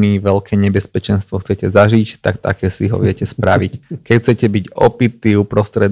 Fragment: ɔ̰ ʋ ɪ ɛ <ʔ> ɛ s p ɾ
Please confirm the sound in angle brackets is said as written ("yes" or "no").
no